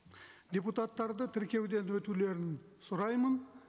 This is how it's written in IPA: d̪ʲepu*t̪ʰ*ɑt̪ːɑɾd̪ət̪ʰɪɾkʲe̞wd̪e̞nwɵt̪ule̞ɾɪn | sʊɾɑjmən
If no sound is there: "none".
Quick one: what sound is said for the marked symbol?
t̪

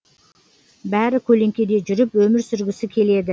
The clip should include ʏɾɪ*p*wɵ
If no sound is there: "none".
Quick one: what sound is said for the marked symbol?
p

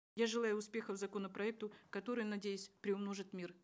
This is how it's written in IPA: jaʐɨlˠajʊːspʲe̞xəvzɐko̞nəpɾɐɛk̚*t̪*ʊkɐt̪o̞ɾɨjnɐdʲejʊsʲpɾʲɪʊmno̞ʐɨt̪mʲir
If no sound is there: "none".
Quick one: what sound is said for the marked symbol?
t̪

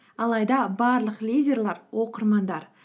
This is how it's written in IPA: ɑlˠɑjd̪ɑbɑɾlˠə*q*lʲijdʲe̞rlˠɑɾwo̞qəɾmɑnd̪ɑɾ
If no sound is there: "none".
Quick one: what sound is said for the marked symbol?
q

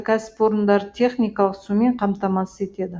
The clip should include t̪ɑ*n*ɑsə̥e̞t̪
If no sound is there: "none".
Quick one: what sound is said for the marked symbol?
m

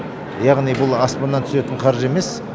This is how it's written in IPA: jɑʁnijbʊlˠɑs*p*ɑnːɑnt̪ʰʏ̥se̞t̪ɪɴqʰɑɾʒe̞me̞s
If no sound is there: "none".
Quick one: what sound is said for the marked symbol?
p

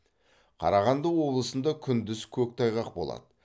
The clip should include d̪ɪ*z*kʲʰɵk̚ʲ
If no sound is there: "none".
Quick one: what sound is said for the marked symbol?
z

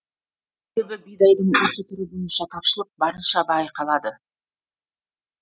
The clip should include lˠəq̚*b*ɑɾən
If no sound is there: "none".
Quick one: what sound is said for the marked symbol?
b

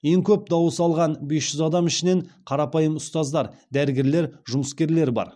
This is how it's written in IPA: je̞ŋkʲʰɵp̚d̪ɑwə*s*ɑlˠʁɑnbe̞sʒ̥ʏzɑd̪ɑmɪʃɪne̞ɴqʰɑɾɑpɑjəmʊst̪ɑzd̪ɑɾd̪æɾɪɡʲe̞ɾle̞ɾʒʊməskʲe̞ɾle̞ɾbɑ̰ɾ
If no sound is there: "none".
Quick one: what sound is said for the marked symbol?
s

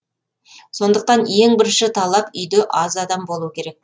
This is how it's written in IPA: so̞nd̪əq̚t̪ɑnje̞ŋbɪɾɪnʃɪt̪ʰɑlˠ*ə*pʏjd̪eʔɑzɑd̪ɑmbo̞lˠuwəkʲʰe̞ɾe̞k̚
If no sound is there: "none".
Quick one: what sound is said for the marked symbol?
ɑ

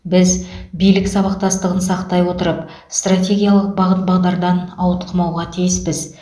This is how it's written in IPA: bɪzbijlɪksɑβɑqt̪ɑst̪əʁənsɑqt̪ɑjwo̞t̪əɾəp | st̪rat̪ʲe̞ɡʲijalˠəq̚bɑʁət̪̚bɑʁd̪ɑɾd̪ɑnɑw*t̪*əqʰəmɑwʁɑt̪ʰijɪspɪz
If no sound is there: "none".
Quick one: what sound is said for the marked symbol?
t̪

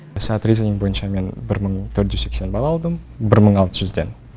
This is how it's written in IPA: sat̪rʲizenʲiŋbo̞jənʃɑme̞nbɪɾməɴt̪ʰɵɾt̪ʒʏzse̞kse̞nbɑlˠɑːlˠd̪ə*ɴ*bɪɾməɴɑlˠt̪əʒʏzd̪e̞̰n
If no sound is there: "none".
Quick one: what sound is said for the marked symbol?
m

